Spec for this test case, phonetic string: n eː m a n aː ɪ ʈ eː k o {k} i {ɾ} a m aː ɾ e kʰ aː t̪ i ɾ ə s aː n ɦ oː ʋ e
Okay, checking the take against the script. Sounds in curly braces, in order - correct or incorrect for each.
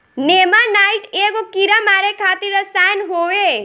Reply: correct, correct

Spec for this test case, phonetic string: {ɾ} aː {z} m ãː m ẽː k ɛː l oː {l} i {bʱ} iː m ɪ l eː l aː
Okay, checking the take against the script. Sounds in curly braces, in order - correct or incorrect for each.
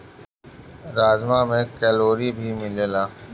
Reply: correct, correct, incorrect: ɾ, correct

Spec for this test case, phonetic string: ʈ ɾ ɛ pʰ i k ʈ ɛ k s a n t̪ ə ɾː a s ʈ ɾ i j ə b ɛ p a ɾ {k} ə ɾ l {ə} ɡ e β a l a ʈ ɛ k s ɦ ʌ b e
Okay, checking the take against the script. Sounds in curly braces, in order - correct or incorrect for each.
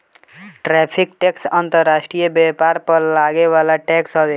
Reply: incorrect: p, incorrect: a

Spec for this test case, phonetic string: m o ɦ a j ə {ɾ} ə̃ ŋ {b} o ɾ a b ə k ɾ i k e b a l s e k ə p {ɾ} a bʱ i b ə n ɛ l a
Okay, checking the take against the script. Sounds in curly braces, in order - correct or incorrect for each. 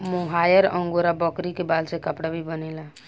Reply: correct, incorrect: ɡ, incorrect: ɽ

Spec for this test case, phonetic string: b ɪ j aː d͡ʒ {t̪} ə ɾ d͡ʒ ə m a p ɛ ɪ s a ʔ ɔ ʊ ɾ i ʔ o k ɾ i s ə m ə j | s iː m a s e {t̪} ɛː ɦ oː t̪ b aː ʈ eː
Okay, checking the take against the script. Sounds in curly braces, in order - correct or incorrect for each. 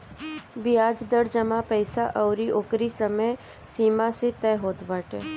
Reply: incorrect: d̪, correct

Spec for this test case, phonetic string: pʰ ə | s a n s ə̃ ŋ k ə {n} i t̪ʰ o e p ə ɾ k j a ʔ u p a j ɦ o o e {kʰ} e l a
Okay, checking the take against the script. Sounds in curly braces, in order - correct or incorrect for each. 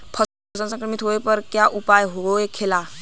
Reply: incorrect: m, correct

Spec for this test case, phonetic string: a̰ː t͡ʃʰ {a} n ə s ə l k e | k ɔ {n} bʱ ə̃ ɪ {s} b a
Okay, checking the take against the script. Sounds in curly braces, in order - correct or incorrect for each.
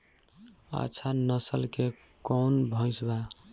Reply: correct, correct, correct

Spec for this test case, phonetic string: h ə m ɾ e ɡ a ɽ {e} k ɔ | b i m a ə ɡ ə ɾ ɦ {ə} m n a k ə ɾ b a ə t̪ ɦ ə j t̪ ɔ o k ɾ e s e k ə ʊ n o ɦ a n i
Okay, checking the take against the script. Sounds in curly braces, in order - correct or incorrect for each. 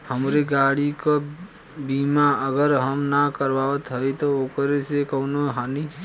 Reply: incorrect: i, correct

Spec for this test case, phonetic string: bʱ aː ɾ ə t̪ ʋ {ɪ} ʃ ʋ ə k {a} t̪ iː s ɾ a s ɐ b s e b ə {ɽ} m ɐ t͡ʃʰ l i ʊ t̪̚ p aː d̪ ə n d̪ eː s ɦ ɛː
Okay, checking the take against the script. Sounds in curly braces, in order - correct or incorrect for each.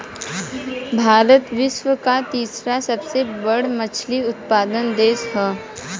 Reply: correct, correct, correct

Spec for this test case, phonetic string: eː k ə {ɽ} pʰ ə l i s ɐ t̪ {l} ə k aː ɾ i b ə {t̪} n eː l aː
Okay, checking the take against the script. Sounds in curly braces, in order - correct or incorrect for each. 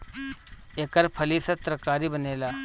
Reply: incorrect: ɾ, incorrect: ɾ, incorrect: none

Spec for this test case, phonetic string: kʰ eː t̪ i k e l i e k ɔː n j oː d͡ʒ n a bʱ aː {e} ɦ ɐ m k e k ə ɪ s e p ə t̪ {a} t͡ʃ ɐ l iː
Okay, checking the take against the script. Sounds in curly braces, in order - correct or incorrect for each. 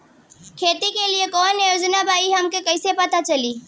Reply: incorrect: i, correct

